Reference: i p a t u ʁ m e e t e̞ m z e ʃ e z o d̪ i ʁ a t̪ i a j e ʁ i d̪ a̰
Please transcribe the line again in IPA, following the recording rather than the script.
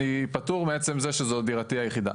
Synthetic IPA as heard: i p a t u ʁ m e e t͡s e̞ m z e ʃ e z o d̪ i ʁ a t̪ i a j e χ i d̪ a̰